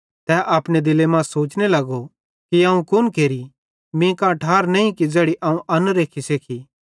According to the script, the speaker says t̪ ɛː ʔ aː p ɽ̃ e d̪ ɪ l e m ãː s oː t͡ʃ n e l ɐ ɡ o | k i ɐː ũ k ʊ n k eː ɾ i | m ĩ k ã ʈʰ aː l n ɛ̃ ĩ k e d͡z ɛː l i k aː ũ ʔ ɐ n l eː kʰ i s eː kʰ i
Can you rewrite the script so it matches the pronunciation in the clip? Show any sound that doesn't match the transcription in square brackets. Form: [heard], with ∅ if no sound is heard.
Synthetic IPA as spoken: t̪ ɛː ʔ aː p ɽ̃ e d̪ ɪ l e m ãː s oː t͡ʃ n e l ɐ ɡ o | k i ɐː ũ k ʊ n k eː ɾ i | m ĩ k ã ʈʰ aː [ɾ] n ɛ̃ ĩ k [i] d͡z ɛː [ɽ] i [ʔ] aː ũ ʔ ɐ n [ɾ] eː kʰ i s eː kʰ i